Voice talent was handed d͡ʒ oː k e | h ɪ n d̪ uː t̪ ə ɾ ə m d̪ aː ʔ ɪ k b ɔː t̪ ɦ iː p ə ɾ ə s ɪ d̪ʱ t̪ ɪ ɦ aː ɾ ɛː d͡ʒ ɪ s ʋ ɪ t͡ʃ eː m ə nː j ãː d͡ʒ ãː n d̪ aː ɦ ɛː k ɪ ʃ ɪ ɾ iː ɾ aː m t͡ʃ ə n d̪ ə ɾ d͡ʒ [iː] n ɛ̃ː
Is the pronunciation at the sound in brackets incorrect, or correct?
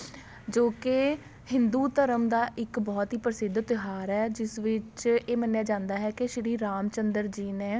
correct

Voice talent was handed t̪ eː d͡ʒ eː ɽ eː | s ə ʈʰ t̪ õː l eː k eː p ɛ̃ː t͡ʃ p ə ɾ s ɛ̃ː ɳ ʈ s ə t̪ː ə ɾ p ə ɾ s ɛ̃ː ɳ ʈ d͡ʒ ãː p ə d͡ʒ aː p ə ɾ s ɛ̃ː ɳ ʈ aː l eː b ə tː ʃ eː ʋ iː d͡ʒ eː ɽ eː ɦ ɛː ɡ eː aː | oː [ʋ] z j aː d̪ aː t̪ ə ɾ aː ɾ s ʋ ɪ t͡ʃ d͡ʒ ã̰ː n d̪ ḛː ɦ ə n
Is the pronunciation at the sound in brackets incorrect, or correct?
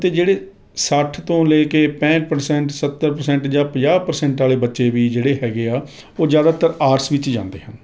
incorrect: none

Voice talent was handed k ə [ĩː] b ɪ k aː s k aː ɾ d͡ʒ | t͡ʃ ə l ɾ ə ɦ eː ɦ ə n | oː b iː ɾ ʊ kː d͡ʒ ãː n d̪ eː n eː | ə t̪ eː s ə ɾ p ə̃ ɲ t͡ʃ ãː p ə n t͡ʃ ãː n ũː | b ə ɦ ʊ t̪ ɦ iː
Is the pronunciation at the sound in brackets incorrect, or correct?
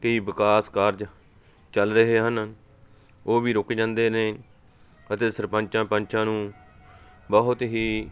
incorrect: iː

